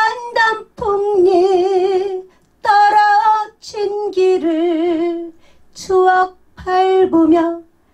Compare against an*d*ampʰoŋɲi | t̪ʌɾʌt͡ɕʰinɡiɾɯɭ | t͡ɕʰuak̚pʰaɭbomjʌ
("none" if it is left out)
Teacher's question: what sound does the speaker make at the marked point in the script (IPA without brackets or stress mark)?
d